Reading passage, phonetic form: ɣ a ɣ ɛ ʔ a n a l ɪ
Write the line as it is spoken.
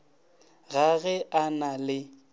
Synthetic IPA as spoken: ɣ a ɣ ɛ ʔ a n a l ɪ

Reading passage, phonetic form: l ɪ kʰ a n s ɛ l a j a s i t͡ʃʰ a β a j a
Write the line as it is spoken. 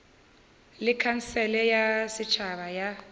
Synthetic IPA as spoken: l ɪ kʰ a n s ɛ l ɛ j a s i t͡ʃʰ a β a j a

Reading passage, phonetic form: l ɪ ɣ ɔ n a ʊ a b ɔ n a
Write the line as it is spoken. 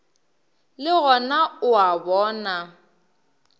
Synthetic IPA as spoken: l ɪ ɣ ɔ n a ʊ a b ɔː n a

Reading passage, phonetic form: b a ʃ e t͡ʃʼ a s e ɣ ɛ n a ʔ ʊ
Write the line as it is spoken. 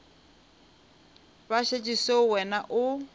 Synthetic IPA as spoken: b a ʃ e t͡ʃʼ i s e w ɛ n a ʔ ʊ

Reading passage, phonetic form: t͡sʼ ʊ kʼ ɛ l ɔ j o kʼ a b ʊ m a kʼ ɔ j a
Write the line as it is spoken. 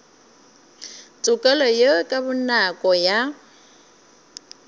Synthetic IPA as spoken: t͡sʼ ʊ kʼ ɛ l ɔ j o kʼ a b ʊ n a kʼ ɔ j a

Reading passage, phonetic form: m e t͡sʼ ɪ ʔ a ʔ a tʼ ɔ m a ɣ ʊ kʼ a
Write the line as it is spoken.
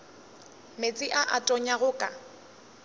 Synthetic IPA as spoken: m e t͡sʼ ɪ ʔ a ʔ a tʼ ɔ ɲ a ɣ ʊ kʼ a

